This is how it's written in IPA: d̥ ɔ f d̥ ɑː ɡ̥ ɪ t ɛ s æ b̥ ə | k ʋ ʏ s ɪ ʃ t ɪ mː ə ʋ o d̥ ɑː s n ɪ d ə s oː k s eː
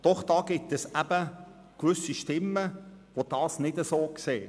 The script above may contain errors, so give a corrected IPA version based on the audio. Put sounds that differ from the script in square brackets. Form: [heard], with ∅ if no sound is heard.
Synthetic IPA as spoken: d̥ ɔ [χ] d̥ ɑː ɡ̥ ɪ t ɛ s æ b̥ ə | k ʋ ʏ s [i] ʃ t ɪ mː ə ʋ o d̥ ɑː s n ɪ d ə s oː k s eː